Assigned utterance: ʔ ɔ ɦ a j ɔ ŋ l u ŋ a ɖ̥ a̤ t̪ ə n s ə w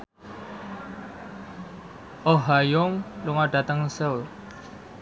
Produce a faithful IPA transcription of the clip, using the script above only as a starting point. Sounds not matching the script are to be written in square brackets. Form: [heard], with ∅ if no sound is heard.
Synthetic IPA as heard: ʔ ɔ ɦ a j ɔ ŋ l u ŋ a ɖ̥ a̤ t̪ ə [ŋ] s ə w

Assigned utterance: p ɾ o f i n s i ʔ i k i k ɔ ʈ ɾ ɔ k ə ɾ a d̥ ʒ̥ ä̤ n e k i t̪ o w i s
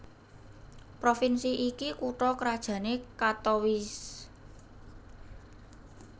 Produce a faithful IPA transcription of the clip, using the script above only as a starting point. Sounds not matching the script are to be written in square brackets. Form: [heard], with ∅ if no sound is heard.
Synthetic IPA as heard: p ɾ o f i n s i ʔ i k i k [u] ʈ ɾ ɔ k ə ɾ a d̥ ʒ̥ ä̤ n e k [a] t̪ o w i s

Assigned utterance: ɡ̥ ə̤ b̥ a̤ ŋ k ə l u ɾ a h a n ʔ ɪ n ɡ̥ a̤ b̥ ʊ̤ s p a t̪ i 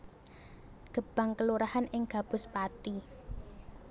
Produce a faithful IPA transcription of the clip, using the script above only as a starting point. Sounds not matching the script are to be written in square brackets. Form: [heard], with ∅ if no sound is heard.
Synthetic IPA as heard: ɡ̥ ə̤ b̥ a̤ ŋ k ə l u ɾ a h a n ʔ ɪ [ŋ] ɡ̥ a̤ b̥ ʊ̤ s p a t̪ i

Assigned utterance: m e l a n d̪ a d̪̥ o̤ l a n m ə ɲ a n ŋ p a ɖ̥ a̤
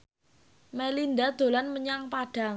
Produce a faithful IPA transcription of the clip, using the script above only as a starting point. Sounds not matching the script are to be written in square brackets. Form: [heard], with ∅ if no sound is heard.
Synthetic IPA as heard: m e l [i] n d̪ a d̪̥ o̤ l a n m ə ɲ a [∅] ŋ p a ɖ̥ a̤

